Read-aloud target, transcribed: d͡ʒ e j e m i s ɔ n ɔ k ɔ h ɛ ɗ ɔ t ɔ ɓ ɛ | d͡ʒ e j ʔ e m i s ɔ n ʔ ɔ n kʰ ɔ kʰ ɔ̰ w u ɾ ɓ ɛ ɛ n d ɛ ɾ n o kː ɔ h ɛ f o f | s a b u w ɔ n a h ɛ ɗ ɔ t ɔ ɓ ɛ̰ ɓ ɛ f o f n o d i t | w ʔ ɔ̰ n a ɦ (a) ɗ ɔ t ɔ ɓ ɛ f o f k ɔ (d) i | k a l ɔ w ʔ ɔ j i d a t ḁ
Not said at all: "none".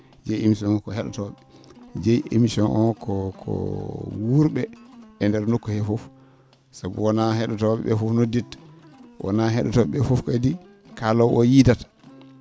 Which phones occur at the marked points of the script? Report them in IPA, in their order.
ɛ, d

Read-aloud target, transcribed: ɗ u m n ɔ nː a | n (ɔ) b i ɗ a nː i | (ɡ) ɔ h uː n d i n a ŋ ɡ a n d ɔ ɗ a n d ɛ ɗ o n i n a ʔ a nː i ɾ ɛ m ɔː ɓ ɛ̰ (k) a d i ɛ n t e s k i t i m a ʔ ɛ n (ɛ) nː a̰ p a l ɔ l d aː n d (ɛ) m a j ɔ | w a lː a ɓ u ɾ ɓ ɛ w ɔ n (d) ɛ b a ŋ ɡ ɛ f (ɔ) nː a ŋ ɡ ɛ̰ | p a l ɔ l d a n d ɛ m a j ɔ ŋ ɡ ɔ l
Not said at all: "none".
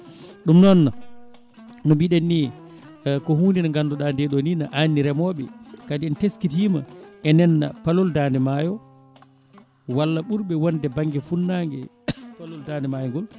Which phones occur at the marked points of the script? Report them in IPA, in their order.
ɔ, k, k, ɛ, ɛ, d, u

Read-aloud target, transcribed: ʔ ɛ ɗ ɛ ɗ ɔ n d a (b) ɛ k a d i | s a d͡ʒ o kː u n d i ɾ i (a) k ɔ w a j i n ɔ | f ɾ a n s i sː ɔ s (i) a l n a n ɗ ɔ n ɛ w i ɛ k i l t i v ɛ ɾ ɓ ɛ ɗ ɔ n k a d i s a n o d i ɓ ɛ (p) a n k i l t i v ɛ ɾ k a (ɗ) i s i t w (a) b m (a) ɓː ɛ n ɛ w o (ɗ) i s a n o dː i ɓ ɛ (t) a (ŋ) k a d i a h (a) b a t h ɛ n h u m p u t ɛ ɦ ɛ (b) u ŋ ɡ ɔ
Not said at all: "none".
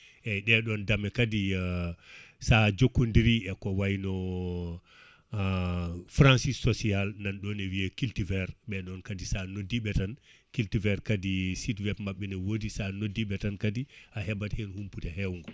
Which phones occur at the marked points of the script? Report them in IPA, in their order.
m, ɛ, i, t, d, ɛ, a, d, t, n, ɛ, w

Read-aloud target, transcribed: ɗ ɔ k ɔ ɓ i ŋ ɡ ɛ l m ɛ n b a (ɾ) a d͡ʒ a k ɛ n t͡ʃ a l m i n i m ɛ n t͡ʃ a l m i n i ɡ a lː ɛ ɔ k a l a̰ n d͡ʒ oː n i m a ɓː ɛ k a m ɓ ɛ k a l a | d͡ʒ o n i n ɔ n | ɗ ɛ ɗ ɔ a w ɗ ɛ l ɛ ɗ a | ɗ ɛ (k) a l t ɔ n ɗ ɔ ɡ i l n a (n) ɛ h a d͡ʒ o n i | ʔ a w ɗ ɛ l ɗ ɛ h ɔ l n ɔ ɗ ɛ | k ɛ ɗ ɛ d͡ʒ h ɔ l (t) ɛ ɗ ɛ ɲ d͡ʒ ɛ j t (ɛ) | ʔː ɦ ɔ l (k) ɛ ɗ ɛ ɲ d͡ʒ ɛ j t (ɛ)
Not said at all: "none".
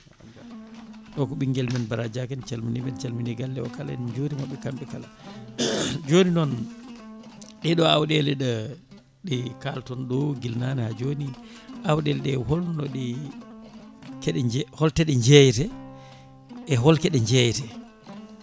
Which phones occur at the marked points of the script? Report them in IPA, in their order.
ɾ, k, n, t, ɛ, k, ɛ

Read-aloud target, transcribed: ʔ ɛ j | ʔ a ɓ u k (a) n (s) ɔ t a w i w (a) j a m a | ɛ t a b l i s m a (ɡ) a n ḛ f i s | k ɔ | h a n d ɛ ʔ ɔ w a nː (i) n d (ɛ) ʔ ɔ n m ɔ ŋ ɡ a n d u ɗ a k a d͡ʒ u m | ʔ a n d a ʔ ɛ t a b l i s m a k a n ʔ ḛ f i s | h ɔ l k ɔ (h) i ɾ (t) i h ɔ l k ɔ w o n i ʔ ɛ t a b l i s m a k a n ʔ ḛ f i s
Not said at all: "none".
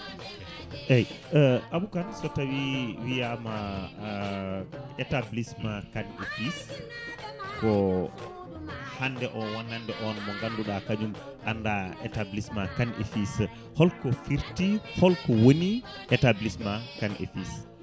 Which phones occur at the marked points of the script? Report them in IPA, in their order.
a, s, i, k, a, ɛ, f, t

